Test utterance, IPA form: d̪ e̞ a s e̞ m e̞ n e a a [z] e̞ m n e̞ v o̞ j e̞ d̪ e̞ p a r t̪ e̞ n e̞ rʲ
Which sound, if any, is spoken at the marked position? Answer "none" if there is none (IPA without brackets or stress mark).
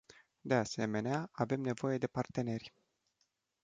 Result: v